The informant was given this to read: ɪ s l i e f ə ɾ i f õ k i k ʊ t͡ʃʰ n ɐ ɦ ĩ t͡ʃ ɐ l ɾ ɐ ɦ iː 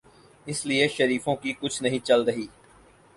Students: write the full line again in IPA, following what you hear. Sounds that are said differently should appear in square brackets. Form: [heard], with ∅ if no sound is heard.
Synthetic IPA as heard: ɪ s l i e [ʃ] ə ɾ [iː] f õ k i k ʊ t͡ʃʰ n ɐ ɦ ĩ t͡ʃ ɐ l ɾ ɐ ɦ iː